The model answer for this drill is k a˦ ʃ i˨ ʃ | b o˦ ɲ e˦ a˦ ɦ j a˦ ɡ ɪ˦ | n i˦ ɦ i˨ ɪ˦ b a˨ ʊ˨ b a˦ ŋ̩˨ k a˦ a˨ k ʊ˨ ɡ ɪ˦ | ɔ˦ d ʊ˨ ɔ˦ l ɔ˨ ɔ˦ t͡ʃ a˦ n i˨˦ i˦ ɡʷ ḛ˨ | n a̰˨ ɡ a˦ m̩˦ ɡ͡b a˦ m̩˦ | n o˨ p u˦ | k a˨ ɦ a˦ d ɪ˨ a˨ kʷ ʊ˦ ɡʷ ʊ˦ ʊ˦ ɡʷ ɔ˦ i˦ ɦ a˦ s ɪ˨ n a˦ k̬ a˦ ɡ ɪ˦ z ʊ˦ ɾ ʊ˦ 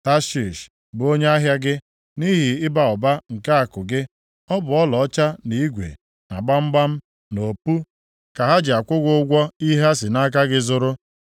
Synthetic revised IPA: t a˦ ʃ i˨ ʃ | b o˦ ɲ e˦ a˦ ɦ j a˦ ɡ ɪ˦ | n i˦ ɦ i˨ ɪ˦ b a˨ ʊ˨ b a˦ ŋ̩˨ k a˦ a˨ k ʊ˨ ɡ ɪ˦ | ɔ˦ b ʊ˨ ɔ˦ l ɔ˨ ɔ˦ t͡ʃ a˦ n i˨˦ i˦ ɡʷ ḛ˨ | n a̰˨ ɡ͡b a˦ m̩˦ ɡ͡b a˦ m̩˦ | n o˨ p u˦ | k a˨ ɦ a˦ d͡ʒ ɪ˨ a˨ kʷ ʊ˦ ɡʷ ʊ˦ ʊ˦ ɡʷ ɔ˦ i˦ ɦ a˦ s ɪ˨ n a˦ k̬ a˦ ɡ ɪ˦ z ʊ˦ ɾ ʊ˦

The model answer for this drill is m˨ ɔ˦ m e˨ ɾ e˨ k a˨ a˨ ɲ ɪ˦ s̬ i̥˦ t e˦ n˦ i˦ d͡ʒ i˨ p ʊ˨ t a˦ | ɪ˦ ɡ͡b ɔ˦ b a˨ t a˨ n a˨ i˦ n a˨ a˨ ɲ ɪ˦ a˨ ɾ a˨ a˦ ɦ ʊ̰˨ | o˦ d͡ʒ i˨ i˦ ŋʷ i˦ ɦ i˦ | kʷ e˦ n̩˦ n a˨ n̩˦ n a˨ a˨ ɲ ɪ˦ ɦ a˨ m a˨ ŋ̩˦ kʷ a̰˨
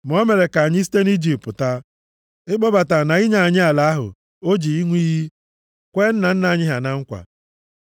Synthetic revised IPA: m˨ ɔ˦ m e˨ ɾ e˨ k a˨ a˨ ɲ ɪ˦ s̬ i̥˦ t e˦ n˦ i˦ d͡ʒ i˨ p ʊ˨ t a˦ | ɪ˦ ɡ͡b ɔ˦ b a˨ t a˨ n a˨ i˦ ɲ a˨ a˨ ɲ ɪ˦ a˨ l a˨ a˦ ɦ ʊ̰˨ | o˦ d͡ʒ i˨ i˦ ŋʷ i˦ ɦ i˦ | kʷ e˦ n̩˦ n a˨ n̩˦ n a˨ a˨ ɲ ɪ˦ ɦ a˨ n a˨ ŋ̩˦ kʷ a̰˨

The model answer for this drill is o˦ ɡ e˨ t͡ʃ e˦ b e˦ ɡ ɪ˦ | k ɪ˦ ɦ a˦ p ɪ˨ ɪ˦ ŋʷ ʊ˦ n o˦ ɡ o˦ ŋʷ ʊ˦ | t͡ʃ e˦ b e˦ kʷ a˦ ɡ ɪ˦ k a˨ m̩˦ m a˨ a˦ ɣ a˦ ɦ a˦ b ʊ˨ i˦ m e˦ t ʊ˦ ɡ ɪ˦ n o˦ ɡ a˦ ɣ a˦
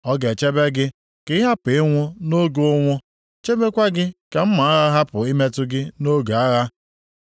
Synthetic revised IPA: ɔ˦ ɡ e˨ t͡ʃ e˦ b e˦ ɡ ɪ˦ | k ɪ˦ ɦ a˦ p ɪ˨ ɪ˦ ŋʷ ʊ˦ n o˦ ɡ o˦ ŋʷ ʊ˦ | t͡ʃ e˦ b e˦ kʷ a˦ ɡ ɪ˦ k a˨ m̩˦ m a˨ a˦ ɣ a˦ ɦ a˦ p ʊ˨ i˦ m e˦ t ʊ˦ ɡ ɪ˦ n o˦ ɡ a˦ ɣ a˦

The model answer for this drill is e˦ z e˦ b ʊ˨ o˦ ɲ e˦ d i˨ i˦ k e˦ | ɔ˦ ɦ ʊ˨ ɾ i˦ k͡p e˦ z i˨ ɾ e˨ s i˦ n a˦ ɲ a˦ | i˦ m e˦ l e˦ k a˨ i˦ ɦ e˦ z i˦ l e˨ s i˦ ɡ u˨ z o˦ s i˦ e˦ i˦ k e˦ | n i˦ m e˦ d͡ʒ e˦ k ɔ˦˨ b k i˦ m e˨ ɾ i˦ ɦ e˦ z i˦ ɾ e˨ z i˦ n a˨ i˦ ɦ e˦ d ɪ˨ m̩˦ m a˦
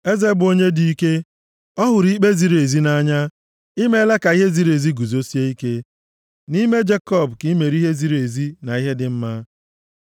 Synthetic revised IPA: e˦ z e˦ b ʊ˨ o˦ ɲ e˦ d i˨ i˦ k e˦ | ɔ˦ ɦ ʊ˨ ɾ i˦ k͡p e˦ z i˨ ɾ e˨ z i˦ n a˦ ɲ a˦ | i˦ m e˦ l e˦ k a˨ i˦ ɦ e˦ z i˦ ɾ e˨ z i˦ ɡ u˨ z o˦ s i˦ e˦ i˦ k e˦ | n i˦ m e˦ d͡ʒ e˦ k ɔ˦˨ b k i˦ m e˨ ɾ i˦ ɦ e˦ z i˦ ɾ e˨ z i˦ n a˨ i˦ ɦ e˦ d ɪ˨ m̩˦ m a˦

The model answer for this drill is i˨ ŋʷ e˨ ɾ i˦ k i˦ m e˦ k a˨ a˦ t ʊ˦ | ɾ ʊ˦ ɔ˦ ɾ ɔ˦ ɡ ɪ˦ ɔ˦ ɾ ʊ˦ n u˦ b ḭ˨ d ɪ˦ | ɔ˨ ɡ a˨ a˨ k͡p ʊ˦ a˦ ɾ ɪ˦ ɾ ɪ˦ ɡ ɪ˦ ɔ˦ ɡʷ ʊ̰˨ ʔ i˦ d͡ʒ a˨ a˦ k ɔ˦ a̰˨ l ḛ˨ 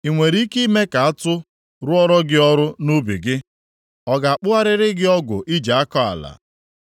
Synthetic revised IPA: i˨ ŋʷ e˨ ɾ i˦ k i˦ m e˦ k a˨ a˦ t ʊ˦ | ɾ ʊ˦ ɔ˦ ɾ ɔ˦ ɡ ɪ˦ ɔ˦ ɾ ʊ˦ n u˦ b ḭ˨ ɡ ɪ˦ | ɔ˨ ɡ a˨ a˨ k͡p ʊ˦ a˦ ɾ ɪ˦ ɾ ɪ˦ ɡ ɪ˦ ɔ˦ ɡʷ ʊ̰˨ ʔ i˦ d͡ʒ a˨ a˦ k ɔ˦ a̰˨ l a̰˨

